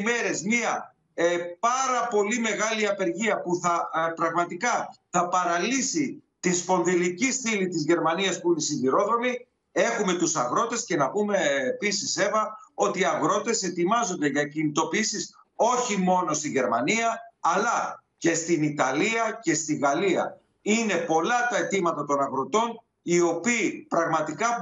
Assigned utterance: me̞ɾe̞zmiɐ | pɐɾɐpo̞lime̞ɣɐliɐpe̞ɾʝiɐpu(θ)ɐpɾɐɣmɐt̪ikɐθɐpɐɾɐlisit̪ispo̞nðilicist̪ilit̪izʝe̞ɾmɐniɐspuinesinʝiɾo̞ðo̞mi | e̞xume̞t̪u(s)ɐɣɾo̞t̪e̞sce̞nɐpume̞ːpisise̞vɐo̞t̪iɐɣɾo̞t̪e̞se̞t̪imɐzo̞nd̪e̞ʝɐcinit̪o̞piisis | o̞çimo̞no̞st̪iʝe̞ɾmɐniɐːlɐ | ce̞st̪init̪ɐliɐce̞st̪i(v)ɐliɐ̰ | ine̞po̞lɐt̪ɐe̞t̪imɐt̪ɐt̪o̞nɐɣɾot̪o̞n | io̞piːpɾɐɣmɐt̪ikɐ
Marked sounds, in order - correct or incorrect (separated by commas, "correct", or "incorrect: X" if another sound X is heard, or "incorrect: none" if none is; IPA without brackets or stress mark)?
correct, correct, incorrect: ɣ